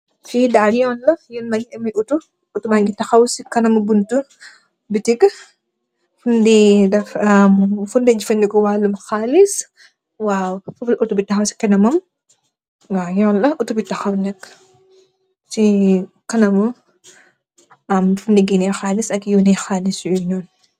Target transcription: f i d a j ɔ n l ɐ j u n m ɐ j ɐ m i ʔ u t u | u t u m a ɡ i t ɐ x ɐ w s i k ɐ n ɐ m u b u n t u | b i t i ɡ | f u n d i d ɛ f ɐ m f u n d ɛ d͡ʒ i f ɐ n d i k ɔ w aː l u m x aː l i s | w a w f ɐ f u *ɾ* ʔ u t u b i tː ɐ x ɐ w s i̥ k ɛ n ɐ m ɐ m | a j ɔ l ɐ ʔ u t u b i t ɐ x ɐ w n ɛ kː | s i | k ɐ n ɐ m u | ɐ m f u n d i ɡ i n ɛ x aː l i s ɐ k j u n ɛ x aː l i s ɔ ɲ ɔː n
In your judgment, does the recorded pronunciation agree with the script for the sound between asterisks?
no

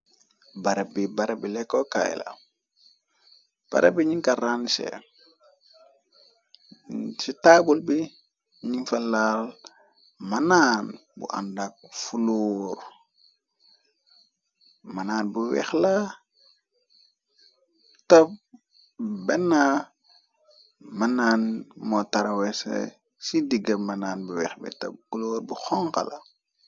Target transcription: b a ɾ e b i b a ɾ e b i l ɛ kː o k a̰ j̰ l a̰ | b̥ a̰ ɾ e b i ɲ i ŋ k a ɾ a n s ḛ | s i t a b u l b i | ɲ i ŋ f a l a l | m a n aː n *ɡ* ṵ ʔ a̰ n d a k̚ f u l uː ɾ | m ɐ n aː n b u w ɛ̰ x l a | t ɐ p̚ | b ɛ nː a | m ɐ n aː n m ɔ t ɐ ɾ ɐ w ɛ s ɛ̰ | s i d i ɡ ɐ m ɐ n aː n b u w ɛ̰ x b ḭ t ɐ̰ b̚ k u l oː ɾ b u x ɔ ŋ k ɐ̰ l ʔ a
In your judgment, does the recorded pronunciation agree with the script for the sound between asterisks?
no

